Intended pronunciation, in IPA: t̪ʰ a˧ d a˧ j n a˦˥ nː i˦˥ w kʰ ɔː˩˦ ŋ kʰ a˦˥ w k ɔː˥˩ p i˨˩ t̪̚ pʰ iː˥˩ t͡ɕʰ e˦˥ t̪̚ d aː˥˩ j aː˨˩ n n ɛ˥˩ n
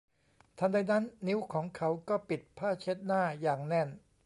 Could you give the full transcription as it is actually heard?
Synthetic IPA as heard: t̪ʰ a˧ d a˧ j n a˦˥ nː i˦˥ w kʰ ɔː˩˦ ŋ kʰ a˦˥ w k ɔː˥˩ p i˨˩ t̪̚ pʰ aː˥˩ t͡ɕʰ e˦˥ t̪̚ n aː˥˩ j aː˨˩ ŋ n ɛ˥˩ n